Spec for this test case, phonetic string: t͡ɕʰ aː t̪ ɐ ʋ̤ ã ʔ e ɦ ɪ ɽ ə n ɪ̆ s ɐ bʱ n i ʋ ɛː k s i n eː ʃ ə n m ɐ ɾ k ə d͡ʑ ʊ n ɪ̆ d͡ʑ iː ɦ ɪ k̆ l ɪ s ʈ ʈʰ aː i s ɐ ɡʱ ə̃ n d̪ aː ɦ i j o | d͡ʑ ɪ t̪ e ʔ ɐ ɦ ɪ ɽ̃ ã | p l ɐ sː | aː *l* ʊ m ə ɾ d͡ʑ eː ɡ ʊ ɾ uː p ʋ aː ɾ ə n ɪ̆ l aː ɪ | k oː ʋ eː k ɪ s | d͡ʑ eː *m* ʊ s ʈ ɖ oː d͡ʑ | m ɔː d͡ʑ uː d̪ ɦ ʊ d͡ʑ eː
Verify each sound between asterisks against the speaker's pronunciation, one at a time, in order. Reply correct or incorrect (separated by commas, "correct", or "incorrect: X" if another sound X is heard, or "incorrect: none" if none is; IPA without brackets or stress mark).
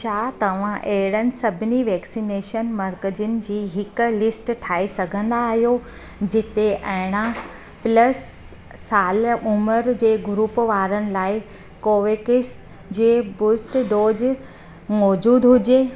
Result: correct, incorrect: b